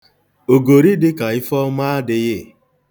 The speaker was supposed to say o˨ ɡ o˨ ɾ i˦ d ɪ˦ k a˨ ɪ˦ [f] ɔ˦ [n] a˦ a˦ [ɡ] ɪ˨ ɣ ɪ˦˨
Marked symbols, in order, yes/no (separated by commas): yes, no, no